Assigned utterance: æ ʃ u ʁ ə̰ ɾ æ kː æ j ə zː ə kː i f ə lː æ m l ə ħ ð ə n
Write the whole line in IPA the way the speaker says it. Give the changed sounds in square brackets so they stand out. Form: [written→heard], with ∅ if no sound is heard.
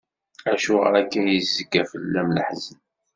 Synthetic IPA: æ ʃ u ʁ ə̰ ɾ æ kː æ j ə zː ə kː [i→æ] f ə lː æ m l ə ħ [ð→z] ə n